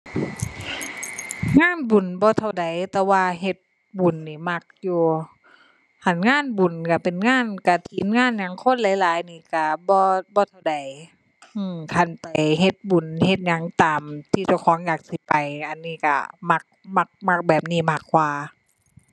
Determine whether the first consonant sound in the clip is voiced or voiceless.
voiced